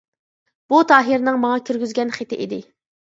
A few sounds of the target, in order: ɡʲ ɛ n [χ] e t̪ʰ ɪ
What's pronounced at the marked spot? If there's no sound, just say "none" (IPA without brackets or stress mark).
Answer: χ